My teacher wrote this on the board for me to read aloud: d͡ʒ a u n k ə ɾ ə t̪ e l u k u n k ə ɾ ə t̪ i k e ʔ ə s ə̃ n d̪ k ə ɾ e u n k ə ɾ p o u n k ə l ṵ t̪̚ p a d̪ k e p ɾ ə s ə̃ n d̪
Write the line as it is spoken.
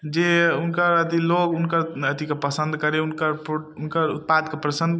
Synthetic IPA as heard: d͡ʒ e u n k ə ɾ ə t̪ i l o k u n k ə ɾ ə t̪ i k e p ə s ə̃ n d̪ k ə ɾ e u n k ə ɾ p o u n k ə ɾ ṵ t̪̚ p a d̪ k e p ɾ ə s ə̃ n d̪